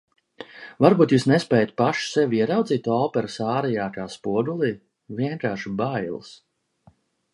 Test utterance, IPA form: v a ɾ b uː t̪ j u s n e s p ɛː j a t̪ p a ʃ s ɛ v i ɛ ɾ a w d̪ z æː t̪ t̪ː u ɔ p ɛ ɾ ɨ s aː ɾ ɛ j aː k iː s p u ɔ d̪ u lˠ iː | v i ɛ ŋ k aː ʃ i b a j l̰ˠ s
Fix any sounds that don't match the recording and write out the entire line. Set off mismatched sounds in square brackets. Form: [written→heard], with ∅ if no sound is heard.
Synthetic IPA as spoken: v a ɾ b uː t̪ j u s n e s p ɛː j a t̪ p a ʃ s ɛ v i ɛ ɾ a w d̪ z [æː→iː] t̪ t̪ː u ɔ p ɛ ɾ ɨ s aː ɾ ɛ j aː k [iː→aː] s p u ɔ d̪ u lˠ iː | v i ɛ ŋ k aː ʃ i b a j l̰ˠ s